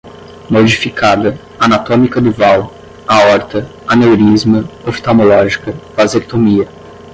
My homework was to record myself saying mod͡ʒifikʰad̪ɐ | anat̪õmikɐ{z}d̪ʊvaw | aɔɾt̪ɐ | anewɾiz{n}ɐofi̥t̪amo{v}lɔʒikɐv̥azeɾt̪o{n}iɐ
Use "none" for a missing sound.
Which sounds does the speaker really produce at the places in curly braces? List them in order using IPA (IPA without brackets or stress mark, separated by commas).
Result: none, m, none, m